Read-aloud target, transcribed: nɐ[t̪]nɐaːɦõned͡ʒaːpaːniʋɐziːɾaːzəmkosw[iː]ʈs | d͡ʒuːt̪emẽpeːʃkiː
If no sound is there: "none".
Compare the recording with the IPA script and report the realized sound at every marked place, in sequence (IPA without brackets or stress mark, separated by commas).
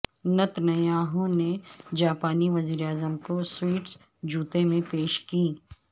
t̪, iː